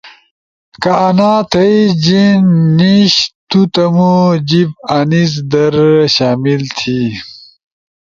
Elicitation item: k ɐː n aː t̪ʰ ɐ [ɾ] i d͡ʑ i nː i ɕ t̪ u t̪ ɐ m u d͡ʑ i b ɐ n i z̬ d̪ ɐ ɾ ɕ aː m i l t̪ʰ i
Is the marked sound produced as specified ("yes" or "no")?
no